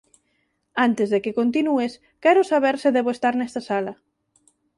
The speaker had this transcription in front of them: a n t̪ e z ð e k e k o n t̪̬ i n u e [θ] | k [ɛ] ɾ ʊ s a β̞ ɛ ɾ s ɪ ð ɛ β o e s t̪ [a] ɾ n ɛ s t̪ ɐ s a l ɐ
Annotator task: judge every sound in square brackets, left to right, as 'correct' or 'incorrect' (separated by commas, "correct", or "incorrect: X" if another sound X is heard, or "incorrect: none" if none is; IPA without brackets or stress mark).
incorrect: s, correct, correct